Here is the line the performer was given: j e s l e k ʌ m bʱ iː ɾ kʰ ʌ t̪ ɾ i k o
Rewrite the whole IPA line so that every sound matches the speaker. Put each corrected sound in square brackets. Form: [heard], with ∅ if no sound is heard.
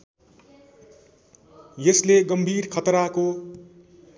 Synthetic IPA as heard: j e s l e [ɡ] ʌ m bʱ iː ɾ kʰ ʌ t̪ ɾ [a] k o